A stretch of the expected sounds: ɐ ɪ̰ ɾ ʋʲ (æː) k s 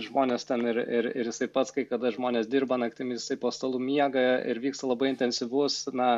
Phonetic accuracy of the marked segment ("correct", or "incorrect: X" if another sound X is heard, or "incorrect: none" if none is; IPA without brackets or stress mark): incorrect: iː